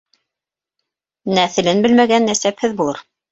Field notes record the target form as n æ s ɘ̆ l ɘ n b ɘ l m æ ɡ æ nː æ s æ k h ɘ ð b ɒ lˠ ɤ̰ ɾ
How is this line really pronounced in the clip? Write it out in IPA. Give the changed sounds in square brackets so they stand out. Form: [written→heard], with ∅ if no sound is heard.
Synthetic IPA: n æ [s→θ] ɘ̆ l ɘ n b ɘ l m æ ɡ æ nː æ s æ [k→p] h ɘ ð b [ɒ→u] lˠ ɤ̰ ɾ